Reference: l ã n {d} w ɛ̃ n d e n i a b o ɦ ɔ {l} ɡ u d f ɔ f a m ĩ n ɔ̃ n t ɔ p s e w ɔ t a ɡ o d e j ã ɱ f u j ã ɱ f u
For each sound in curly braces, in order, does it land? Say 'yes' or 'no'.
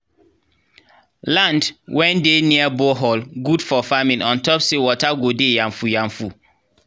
yes, yes

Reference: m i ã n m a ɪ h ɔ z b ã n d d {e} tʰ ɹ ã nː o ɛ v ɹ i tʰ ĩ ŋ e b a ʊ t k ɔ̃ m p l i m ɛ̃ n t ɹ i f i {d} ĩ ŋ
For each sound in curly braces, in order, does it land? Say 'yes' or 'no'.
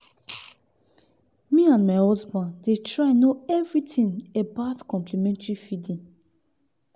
yes, yes

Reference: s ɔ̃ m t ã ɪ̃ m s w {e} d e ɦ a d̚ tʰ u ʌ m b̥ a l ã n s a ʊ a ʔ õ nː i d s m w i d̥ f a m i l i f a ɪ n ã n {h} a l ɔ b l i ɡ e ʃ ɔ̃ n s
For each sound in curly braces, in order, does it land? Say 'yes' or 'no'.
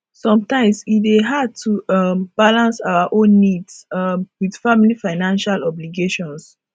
no, no

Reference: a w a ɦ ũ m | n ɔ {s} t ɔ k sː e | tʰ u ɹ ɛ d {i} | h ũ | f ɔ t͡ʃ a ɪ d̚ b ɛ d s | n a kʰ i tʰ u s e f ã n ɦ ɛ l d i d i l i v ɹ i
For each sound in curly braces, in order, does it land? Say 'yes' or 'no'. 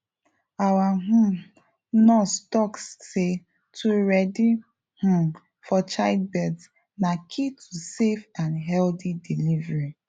yes, yes

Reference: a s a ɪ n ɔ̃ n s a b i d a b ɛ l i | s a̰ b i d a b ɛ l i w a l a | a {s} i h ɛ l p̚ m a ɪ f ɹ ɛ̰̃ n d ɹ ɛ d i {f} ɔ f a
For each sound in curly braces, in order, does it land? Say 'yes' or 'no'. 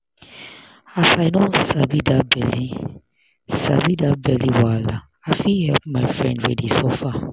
no, no

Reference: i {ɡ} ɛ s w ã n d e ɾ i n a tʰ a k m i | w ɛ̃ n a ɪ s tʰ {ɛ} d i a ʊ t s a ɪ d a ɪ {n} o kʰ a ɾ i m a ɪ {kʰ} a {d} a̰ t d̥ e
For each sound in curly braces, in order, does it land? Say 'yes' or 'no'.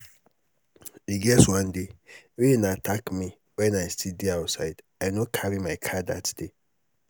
yes, no, yes, yes, yes

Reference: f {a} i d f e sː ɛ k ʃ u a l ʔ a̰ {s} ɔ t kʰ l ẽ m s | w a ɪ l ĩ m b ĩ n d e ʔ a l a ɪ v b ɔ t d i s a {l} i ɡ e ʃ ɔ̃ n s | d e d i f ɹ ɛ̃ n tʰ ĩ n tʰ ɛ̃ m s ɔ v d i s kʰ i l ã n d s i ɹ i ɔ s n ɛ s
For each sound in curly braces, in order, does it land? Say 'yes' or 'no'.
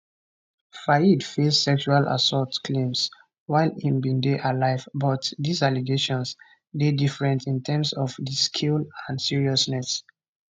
yes, yes, yes

